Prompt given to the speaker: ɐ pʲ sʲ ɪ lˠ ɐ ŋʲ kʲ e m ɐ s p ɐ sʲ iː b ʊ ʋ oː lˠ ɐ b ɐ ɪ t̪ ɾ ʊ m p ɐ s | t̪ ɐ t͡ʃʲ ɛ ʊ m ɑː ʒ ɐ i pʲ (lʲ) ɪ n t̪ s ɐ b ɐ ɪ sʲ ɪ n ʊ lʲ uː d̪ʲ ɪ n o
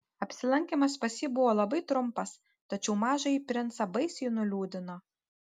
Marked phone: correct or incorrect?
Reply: incorrect